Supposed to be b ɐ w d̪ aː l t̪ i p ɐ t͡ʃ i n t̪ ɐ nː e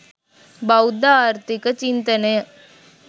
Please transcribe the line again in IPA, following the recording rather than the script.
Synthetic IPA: b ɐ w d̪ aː ɾ t̪ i k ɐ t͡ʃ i n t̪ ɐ n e

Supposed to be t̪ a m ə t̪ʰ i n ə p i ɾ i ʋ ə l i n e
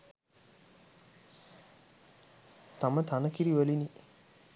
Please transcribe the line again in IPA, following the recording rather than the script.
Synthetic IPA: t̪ a m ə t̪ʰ a n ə k i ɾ i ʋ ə l i n i

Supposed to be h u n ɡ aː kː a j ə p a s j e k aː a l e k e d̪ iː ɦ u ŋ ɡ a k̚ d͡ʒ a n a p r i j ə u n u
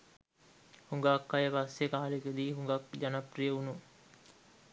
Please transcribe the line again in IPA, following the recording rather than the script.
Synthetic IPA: h u ŋ ɡ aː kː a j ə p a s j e k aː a l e k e d̪ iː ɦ u ŋ ɡ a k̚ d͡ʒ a n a p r i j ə u n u

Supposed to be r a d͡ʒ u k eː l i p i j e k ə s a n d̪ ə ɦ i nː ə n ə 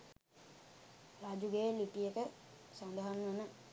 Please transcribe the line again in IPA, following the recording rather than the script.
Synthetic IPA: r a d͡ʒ u ɡ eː l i p i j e k ə s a n d̪ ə ɦ a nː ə n ə

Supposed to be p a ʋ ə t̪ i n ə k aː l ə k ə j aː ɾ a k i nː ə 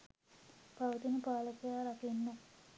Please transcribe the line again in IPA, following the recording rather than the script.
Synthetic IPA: p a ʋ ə t̪ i n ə p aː l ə k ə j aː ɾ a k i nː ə

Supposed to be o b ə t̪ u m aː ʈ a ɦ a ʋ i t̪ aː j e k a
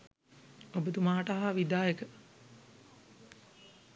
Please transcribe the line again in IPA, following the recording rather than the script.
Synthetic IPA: o b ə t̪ u m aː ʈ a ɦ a ʋ i d̪ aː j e k ə

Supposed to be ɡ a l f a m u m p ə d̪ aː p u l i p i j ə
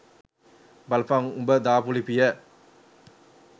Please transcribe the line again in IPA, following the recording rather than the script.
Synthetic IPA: b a l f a ŋ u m b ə d̪ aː p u l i p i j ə

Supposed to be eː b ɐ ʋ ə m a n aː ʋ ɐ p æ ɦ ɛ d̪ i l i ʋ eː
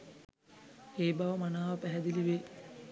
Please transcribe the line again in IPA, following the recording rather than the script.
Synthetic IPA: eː b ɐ ʋ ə m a n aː ʋ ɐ p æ ɦ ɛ d̪ i l i ʋ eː

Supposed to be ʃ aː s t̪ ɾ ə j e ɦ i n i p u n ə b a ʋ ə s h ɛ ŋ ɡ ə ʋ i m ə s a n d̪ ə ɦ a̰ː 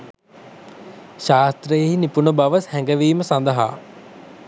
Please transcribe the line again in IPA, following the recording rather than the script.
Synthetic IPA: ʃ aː s t̪ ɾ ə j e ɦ i n i p u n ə b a ʋ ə s h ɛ ŋ ɡ ə ʋ iː m ə s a n d̪ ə ɦ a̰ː

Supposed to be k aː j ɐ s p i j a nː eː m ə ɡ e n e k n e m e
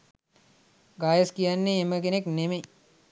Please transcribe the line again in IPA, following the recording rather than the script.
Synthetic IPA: ɡ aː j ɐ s k i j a nː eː m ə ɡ e n e k n e m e

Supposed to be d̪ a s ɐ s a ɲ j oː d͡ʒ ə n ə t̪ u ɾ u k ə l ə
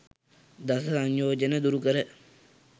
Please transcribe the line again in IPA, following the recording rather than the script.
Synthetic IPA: d̪ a s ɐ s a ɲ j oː d͡ʒ ə n ə d̪ u ɾ u k ə ɾ ə

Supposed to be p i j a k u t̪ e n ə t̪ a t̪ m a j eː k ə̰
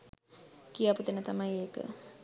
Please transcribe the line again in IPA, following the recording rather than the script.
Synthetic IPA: k i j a p u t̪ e n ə t̪ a m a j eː k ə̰

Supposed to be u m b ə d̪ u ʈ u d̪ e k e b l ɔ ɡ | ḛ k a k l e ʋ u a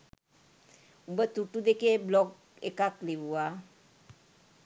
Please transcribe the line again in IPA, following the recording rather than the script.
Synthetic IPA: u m b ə t̪ u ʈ u d̪ e k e b l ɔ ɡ | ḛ k a k l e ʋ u a

